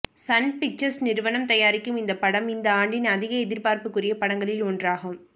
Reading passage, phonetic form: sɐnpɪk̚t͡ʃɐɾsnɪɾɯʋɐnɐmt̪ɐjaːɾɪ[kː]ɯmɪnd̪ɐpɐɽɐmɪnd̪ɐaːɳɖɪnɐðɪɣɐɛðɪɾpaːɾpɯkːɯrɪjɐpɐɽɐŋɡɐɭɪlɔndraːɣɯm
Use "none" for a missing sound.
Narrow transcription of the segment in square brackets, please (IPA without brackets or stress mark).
kː